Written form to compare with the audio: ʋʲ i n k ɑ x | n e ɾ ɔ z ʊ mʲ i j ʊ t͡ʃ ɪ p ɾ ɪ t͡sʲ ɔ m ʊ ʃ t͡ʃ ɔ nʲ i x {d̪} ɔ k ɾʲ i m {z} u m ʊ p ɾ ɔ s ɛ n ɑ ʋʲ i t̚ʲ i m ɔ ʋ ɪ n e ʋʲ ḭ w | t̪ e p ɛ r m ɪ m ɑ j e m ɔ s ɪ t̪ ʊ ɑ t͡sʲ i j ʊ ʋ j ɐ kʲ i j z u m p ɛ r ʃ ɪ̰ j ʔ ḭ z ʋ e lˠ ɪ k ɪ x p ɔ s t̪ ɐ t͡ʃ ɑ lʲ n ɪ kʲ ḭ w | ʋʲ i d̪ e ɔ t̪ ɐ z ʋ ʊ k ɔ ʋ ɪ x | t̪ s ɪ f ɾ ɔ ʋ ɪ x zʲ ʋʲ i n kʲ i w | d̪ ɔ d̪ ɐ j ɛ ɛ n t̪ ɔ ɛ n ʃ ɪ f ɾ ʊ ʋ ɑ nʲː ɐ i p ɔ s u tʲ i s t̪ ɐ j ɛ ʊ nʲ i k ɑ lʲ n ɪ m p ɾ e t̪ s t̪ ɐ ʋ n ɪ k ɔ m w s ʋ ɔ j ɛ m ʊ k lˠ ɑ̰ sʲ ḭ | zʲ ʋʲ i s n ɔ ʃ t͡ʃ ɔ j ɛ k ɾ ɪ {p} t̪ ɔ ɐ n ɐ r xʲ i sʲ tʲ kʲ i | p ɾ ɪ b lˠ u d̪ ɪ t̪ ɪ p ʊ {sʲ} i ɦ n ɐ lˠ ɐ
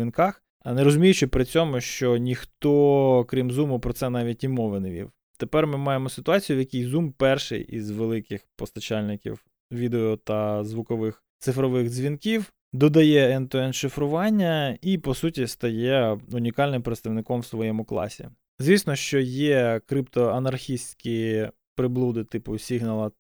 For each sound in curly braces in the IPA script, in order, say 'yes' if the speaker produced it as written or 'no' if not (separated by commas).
no, yes, yes, yes